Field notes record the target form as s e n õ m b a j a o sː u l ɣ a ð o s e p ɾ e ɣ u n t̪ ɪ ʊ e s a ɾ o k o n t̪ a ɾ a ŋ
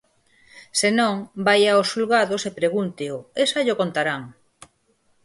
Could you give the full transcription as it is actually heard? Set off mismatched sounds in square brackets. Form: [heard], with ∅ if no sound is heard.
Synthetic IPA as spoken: s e n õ [ŋ] b a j a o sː u l ɣ a ð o s e p ɾ e ɣ u n t̪ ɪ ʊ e s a [ʎ] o k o n t̪ a ɾ a ŋ

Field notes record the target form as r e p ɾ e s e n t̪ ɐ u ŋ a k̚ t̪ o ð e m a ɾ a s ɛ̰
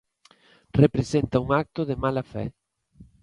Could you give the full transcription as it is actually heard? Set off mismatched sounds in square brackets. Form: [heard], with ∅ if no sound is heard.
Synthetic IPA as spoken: r e p ɾ e s e n t̪ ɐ u ŋ a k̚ t̪ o ð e m a [l] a [f] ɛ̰

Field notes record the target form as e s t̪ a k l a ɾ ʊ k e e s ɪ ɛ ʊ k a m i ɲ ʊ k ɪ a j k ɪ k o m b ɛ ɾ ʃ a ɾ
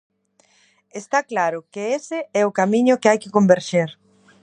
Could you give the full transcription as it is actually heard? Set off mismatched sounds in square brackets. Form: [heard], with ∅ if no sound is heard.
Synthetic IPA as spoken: e s t̪ a k l a ɾ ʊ k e e s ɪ ɛ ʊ k a m i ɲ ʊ k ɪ a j k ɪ k o m b [e] ɾ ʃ [e] ɾ

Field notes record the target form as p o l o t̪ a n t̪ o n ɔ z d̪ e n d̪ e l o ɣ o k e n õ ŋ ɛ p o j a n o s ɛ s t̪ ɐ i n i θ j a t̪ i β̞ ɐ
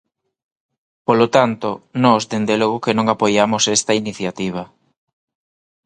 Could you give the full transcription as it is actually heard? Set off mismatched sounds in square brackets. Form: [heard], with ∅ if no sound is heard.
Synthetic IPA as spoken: p o l o t̪ a n t̪ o n ɔ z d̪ e n d̪ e l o ɣ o k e n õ ŋ [a] p o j a [m] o s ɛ s t̪ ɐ i n i θ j a t̪ i β̞ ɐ

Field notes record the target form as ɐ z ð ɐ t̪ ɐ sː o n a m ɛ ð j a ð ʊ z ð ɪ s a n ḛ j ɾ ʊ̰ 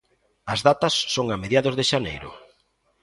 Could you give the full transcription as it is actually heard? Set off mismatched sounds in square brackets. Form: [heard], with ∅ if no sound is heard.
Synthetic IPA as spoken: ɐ z ð [a] t̪ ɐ sː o [ŋ] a m [e] ð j a ð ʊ z ð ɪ [ʃ] a n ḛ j ɾ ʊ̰

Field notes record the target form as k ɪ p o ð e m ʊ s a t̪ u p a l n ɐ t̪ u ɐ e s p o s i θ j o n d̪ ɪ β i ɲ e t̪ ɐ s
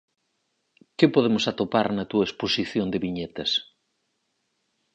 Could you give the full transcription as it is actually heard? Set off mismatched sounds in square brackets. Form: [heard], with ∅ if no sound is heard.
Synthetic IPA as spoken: k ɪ p o ð e m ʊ s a t̪ [o] p a [ɾ] n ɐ t̪ u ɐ e s p o s i θ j o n d̪ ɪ β i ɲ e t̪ ɐ s

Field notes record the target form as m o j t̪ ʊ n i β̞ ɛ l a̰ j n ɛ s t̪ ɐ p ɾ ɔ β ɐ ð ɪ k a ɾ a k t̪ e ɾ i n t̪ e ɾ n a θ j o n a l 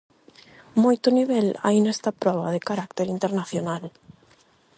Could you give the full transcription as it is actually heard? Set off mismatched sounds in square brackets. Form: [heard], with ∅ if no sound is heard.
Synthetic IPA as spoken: m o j t̪ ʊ n i β̞ ɛ l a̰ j n ɛ s t̪ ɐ p ɾ ɔ β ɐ ð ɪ k a ɾ a k t̪ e ɾ i n t̪ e ɾ n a θ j o n a l

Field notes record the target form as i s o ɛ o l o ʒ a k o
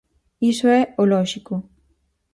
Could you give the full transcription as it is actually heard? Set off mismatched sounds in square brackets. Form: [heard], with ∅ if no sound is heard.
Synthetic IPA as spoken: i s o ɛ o l [ɔ] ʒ [i] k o

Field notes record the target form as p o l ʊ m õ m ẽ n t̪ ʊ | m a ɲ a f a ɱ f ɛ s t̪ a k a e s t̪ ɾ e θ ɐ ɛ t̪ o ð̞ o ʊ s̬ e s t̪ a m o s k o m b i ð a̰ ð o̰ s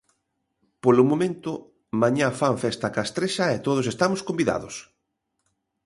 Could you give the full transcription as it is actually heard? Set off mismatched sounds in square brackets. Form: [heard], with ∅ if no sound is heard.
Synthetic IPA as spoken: p o l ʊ m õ m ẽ n t̪ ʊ | m a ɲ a f a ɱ f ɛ s t̪ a k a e s t̪ ɾ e [ʃ] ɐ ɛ t̪ o ð̞ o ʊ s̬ e s t̪ a m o s k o m b i ð a̰ ð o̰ s

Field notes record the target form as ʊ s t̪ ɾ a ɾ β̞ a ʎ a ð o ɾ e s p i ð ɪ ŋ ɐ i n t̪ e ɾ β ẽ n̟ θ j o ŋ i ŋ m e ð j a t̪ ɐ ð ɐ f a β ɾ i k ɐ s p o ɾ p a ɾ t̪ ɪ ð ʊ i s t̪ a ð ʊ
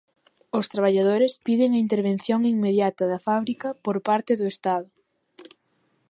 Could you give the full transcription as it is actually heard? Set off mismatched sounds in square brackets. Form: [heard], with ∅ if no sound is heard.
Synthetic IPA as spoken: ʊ s t̪ ɾ a [∅] β̞ a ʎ a ð o ɾ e s p i ð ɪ ŋ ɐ i n t̪ e ɾ β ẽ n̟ θ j o ŋ i ŋ m e ð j a t̪ ɐ ð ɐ f a β ɾ i k ɐ [∅] p o ɾ p a ɾ t̪ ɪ ð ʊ [e] s t̪ a ð ʊ

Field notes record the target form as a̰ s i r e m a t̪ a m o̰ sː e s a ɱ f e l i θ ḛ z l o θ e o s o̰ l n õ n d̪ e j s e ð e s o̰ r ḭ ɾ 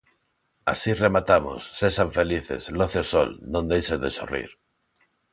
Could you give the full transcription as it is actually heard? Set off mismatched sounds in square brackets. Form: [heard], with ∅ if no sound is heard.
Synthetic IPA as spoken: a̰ s i r e m a t̪ a m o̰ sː e s a ɱ f e l i θ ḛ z l o θ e o s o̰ l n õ n d̪ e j s e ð e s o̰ r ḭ ɾ

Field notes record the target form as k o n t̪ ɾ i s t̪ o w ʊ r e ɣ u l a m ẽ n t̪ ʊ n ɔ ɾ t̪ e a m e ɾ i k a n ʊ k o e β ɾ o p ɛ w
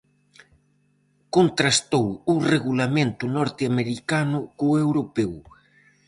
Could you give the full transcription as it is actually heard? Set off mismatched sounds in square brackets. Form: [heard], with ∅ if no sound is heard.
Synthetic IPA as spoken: k o n t̪ ɾ [a] s t̪ o w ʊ r e ɣ u l a m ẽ n t̪ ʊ n ɔ ɾ t̪ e a m e ɾ i k a n ʊ k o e [w] ɾ o p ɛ w

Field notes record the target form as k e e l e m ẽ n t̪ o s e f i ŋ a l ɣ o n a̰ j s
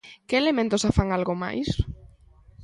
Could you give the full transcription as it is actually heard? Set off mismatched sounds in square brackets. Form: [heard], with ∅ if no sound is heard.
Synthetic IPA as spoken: k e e l e m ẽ n t̪ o s [a] f [a] ŋ a l ɣ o [m] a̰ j s

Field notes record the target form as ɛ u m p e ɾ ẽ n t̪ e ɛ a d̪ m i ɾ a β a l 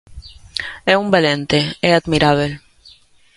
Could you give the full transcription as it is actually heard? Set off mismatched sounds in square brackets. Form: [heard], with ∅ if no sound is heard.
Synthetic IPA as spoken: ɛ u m [b] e [l] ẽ n t̪ e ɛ a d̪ m i ɾ a β [e] l

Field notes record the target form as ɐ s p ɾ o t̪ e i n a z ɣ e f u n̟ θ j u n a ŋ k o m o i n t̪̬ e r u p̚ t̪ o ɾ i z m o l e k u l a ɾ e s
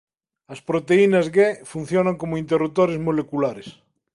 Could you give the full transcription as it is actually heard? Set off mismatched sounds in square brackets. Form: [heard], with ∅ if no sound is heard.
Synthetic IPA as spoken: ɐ s p ɾ o t̪ e i n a z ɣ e f u n̟ θ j [o] n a ŋ k o m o i n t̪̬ e r u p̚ t̪ o ɾ [e] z m o l e k u l a ɾ e s

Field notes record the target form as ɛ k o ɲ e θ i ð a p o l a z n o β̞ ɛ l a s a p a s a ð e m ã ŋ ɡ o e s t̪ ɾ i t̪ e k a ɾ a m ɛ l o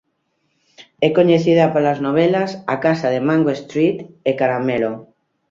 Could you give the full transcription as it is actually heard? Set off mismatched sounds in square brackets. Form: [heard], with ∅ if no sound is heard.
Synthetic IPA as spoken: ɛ k o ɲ e θ i ð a p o l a z n o β̞ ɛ l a s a [k] a s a ð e m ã ŋ ɡ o e s t̪ ɾ i t̪ e k a ɾ a m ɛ l o

